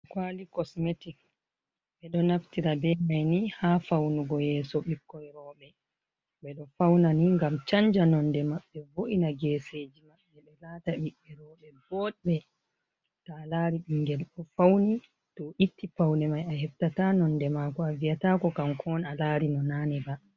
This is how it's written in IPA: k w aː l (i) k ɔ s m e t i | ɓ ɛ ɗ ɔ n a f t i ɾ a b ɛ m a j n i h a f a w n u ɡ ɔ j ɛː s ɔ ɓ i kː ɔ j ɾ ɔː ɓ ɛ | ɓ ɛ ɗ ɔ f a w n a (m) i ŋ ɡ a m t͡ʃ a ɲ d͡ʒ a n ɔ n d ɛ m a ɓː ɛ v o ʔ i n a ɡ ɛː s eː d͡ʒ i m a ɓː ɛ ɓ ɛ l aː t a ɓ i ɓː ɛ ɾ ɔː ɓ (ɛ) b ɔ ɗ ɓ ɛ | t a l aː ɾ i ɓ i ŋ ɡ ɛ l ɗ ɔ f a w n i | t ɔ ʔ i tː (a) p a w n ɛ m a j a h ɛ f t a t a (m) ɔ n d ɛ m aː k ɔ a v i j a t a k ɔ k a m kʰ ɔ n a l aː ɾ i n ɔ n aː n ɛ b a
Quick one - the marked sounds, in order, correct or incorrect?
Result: correct, incorrect, correct, incorrect, incorrect

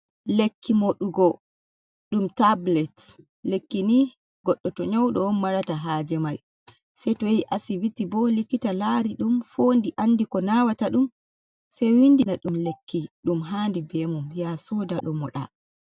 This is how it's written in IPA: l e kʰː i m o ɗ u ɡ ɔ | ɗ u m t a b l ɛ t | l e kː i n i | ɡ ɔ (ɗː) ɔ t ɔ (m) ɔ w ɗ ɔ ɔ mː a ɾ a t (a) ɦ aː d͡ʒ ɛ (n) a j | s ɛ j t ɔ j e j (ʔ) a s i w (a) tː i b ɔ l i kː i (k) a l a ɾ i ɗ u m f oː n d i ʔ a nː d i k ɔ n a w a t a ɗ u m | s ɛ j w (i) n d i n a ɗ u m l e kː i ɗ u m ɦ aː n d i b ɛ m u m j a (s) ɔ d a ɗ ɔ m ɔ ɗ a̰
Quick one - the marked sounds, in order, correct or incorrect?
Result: correct, incorrect, correct, incorrect, correct, incorrect, incorrect, correct, correct

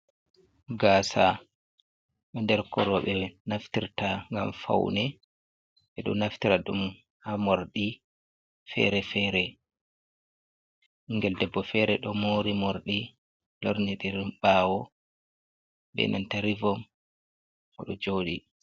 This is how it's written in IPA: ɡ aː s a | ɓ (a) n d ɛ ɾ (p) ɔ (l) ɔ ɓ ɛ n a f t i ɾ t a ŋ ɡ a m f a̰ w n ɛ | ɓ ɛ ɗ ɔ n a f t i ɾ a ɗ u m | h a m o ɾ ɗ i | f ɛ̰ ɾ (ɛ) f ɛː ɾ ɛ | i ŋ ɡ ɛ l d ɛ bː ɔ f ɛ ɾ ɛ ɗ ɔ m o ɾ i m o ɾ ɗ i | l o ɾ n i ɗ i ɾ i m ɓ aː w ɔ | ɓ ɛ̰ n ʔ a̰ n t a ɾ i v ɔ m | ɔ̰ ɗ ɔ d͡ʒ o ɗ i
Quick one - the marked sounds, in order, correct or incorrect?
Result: incorrect, incorrect, incorrect, correct

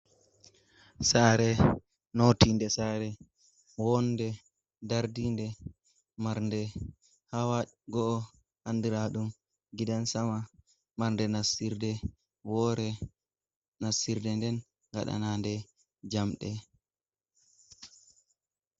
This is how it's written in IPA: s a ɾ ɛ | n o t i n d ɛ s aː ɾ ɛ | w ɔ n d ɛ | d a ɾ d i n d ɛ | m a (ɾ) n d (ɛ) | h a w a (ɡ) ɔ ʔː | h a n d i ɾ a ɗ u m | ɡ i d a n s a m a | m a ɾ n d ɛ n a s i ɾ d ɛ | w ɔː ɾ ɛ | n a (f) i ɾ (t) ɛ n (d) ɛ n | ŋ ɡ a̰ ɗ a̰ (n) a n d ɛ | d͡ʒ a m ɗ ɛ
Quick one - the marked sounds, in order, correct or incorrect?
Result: correct, correct, correct, incorrect, incorrect, correct, correct

